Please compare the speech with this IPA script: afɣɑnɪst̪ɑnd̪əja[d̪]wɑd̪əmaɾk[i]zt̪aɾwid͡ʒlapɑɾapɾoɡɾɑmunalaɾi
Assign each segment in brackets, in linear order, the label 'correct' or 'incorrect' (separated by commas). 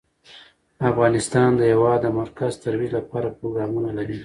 incorrect, incorrect